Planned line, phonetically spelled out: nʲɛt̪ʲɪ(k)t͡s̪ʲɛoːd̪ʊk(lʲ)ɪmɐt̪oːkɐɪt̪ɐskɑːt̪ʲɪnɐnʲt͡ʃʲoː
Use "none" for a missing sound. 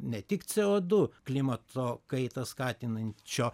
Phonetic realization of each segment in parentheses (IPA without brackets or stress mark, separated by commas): k, lʲ